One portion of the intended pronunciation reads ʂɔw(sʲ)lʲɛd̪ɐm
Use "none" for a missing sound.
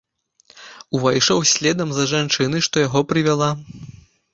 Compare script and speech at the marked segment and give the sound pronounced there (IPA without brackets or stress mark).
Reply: sʲ